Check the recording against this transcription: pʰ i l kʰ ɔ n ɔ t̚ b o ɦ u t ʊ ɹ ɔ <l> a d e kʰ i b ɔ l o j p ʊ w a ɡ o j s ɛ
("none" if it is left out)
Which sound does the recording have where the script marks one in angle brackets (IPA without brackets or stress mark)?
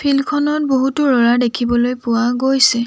ɹ